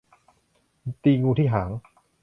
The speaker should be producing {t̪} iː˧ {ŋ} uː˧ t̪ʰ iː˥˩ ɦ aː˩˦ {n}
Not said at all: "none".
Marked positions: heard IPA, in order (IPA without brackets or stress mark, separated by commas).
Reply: t̪, ŋ, ŋ